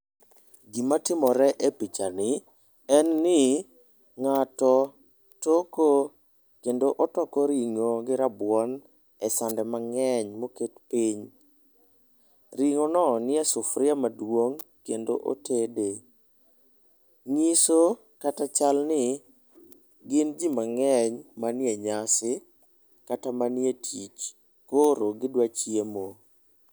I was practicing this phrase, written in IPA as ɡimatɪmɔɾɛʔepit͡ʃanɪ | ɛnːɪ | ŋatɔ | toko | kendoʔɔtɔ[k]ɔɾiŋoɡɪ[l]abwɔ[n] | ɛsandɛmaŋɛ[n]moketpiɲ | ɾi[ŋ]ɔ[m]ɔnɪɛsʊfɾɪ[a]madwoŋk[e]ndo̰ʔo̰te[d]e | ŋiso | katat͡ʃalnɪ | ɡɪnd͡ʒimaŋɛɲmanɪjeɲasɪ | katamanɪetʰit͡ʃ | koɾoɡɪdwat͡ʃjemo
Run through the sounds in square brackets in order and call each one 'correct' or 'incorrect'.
correct, incorrect: ɾ, correct, incorrect: ɲ, correct, incorrect: n, correct, correct, correct

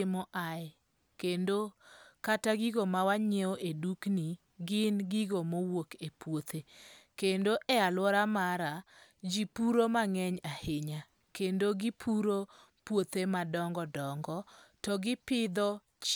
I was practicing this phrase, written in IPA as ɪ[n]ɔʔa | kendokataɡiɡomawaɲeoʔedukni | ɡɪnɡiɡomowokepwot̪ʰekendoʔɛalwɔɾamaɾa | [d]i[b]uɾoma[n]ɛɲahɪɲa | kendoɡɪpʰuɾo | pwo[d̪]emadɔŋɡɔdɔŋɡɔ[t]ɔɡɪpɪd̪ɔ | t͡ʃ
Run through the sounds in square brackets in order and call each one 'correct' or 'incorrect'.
incorrect: m, incorrect: d͡ʒ, incorrect: p, incorrect: ŋ, incorrect: t̪, correct

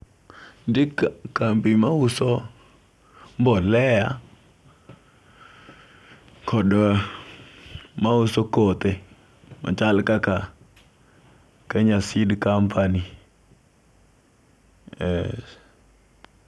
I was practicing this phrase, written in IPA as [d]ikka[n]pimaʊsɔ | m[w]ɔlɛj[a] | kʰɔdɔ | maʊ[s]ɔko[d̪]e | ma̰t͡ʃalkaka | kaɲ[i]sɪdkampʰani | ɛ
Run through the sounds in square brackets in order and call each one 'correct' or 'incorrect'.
correct, incorrect: m, incorrect: b, correct, correct, incorrect: t̪, incorrect: a

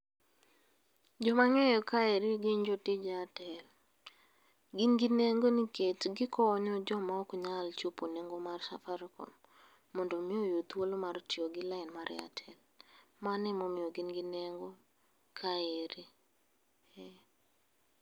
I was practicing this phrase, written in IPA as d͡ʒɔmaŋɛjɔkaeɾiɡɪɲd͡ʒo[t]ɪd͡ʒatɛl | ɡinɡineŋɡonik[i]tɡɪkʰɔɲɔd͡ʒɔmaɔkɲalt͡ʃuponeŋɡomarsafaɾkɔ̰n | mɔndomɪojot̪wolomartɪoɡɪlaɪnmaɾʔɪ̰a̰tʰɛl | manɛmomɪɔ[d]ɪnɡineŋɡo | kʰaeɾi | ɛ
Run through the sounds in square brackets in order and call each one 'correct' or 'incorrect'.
correct, incorrect: e, incorrect: ɡ

